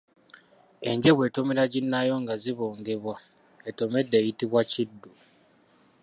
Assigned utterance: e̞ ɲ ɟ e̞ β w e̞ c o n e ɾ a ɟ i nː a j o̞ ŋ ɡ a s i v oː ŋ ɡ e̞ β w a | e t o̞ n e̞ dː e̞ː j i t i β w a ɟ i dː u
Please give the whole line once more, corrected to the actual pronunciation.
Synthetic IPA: e̞ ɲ ɟ e̞ β w e̞ t o m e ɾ a ɟ i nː a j o̞ ŋ ɡ a z i β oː ŋ ɡ e̞ β w a | e t o̞ m e̞ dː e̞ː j i t i β w a c i dː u